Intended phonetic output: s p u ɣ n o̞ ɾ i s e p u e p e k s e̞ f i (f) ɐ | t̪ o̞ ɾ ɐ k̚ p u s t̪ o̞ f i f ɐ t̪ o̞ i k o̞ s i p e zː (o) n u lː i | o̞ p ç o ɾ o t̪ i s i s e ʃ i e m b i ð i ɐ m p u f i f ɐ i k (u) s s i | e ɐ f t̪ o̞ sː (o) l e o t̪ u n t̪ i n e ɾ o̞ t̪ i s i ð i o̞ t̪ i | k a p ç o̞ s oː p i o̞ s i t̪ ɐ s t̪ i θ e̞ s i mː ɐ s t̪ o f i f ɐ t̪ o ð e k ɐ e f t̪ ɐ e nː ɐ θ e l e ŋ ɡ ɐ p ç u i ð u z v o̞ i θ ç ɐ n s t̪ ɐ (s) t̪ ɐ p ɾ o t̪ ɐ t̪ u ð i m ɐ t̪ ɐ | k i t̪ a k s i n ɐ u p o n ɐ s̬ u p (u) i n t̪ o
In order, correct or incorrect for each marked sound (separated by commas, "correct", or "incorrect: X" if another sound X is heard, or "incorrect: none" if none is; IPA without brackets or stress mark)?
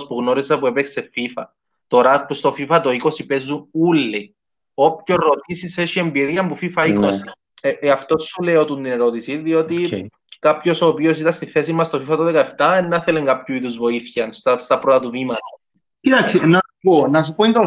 correct, incorrect: u, incorrect: o, incorrect: u, correct, incorrect: o